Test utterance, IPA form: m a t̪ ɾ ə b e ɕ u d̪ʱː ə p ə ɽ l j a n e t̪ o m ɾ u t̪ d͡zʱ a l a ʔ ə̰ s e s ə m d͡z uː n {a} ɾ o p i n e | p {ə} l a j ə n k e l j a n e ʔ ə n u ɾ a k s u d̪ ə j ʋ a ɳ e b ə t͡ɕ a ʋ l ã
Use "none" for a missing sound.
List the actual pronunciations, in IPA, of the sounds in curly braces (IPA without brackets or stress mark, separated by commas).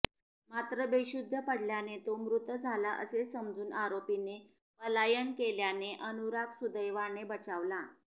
a, ə